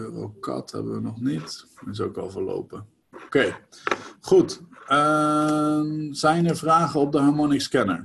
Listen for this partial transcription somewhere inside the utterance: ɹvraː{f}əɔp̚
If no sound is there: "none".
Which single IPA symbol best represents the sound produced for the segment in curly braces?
χ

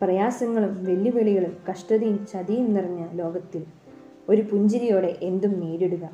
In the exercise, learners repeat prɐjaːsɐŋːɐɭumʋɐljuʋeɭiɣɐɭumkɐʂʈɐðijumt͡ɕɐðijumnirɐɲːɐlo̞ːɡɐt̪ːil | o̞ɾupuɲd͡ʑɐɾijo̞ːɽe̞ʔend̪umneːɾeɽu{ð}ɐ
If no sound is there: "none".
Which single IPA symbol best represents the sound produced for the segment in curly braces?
ɣ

